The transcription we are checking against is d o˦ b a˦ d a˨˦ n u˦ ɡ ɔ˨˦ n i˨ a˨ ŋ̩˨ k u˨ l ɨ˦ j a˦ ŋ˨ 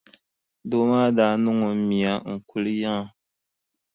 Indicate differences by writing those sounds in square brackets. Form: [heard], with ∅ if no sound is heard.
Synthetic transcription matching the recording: d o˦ [m] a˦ d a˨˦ n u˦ [ŋ] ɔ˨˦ [m] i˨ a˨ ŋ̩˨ k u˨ l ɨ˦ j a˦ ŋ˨